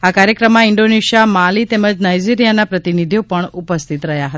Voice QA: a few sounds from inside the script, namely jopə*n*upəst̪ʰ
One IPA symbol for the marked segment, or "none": ɳ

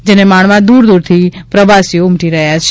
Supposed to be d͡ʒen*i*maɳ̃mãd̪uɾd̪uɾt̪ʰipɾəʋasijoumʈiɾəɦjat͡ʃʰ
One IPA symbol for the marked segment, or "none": e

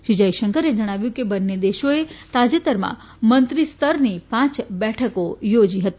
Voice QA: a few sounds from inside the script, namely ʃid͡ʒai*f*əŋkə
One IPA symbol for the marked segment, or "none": ʃ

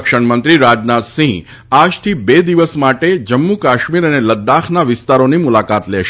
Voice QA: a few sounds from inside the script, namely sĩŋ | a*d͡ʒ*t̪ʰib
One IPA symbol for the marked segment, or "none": d͡ʒ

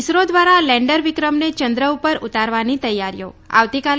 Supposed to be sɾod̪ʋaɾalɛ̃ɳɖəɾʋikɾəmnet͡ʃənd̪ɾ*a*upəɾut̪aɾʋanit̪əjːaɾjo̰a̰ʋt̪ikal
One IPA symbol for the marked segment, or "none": ə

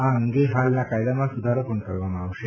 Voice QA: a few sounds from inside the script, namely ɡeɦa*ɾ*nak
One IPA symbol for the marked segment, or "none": l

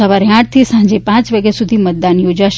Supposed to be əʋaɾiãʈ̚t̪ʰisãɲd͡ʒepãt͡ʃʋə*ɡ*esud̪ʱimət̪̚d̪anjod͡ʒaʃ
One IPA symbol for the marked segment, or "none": ɡ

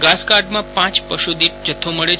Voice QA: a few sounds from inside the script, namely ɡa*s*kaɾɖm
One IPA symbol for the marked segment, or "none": s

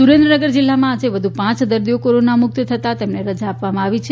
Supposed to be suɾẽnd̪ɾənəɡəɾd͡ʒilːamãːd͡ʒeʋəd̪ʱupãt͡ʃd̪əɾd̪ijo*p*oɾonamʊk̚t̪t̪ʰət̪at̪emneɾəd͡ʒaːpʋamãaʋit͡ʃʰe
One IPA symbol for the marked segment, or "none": k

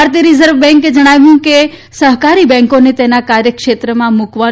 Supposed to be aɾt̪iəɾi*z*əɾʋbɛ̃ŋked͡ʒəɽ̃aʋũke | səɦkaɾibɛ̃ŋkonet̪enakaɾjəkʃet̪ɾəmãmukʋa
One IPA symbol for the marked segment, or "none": z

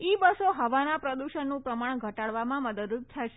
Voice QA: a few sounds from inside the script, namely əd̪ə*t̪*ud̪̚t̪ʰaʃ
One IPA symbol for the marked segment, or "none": d̪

